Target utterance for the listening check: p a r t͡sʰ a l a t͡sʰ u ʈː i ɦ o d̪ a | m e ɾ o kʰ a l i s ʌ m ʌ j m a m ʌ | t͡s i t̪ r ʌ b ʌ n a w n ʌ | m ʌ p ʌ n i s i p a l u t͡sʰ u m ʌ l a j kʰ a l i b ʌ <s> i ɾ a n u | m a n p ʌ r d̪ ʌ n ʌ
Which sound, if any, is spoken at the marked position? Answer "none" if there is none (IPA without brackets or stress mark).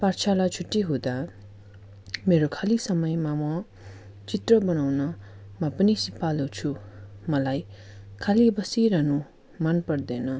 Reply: s